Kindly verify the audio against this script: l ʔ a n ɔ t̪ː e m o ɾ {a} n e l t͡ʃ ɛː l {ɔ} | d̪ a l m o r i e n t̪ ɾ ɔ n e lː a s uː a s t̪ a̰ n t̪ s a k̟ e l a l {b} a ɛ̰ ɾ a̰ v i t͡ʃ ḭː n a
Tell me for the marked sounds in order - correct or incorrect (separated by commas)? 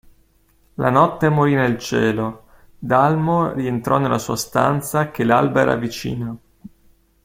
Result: incorrect, incorrect, correct